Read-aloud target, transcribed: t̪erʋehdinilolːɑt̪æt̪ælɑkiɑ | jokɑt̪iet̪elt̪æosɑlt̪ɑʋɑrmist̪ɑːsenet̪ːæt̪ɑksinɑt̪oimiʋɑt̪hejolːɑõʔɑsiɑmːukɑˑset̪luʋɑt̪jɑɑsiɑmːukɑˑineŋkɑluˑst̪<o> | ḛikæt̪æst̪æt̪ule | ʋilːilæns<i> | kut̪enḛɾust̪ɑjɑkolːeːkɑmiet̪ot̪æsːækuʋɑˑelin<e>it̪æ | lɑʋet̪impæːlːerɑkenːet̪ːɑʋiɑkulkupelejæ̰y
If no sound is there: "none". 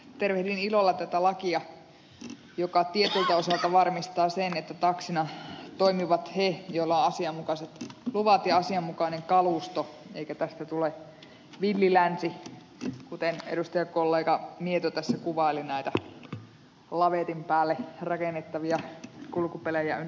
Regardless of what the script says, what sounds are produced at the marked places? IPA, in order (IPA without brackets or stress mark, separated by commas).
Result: o, i, æ